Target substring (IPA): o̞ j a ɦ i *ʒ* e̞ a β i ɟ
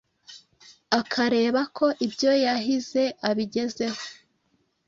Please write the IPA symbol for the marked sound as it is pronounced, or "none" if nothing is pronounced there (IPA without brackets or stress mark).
z